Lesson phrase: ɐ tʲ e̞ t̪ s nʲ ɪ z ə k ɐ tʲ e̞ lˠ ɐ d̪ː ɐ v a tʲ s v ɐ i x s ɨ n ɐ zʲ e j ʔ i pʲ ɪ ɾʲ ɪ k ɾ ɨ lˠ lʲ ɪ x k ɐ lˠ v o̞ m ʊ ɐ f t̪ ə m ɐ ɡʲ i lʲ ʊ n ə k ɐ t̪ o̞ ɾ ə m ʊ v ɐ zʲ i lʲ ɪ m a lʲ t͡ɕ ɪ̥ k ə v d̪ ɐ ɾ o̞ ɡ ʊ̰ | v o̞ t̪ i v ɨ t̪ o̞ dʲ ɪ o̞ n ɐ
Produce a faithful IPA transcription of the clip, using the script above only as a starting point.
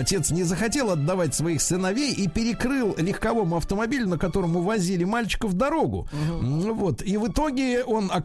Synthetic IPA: ɐ tʲ e̞ t̪ s nʲ ɪ z ə x ɐ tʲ e̞ lˠ ɐ d̪ː ɐ v a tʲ s v ɐ i x s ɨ n ɐ vʲ e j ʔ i pʲ ɪ ɾʲ ɪ k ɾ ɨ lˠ lʲ ɪ x k ɐ v o̞ m ʊ ɐ f t̪ ə m ɐ bʲ i lʲ ʊ n ə k ɐ t̪ o̞ ɾ ə m ʊ v ɐ zʲ i lʲ ɪ m a lʲ t͡ɕ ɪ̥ k ə v d̪ ɐ ɾ o̞ ɡ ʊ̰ | v o̞ t̪ i v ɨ t̪ o̞ ɡʲ ɪ o̞ n ɐ